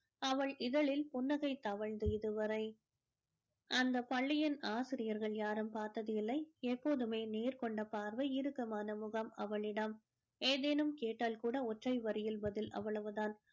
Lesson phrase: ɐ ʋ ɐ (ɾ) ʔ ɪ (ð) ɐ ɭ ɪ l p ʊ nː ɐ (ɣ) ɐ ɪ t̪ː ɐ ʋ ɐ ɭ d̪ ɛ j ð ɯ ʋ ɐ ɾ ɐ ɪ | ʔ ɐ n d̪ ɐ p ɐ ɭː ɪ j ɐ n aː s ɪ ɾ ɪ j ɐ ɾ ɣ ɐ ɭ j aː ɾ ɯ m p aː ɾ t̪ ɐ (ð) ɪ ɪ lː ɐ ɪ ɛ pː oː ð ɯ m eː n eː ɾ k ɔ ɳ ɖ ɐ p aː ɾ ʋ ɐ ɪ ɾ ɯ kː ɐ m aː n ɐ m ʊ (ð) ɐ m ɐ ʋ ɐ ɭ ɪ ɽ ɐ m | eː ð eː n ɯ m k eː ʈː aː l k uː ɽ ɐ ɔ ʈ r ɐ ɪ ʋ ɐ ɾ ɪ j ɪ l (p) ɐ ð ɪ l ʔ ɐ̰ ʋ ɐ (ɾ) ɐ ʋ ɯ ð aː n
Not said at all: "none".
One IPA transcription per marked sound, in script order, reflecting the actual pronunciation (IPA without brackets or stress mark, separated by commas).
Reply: ɭ, ð, ɣ, ð, ɣ, b, ɭ